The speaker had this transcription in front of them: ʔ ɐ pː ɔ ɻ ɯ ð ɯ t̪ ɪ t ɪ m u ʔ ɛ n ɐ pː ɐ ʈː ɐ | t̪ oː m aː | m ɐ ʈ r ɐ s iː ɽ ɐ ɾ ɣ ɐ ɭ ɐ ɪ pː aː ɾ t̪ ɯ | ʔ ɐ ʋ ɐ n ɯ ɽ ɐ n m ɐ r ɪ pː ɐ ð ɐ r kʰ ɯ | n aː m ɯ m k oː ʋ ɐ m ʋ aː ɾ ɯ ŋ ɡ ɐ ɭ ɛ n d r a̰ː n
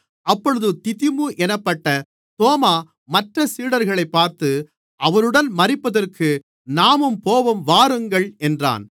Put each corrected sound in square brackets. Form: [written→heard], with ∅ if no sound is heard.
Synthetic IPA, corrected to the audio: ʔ ɐ pː ɔ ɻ ɯ ð ɯ t̪ ɪ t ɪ m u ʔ ɛ n ɐ pː ɐ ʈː ɐ | t̪ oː m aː | m ɐ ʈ r ɐ s iː ɽ ɐ ɾ ɣ ɐ ɭ ɐ ɪ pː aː ɾ t̪ ɯ | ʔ ɐ ʋ ɐ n ɯ ɽ ɐ n m ɐ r ɪ pː ɐ ð ɐ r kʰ ɯ | n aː m ɯ m [k→p] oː ʋ ɐ m ʋ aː ɾ ɯ ŋ ɡ ɐ ɭ ɛ n d r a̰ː n